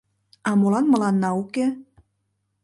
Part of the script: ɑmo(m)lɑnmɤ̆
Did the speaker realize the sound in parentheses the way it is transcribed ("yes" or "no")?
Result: no